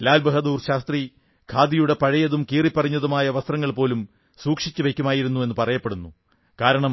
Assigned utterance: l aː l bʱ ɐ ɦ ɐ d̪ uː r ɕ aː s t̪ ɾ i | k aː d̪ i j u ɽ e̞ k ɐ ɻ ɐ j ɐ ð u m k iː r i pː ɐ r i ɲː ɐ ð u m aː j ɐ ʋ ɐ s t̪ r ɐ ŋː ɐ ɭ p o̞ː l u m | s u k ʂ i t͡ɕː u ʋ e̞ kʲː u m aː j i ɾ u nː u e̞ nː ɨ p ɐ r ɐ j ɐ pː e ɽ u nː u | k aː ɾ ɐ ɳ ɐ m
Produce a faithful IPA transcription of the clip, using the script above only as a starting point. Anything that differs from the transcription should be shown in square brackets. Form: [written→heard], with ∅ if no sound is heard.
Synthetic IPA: l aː l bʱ ɐ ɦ ɐ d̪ uː r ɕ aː s t̪ [ɾ→r] i | [k→kʰ] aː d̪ i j u ɽ e̞ [k→p] ɐ ɻ ɐ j ɐ ð u m k iː r i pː ɐ r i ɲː ɐ ð u m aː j ɐ ʋ ɐ s t̪ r ɐ ŋː ɐ ɭ p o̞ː l u m | s [u→uː] k ʂ i t͡ɕː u ʋ e̞ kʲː u m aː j i ɾ u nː u e̞ nː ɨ p ɐ r ɐ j ɐ pː e ɽ u nː u | k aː ɾ ɐ ɳ ɐ m